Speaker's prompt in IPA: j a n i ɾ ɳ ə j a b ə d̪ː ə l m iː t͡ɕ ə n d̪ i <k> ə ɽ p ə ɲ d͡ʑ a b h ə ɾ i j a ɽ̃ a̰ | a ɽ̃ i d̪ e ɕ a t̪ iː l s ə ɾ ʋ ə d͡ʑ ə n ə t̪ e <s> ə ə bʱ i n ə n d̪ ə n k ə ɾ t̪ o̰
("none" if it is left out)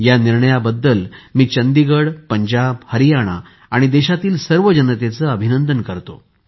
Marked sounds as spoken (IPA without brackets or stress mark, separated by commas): ɡ, t͡s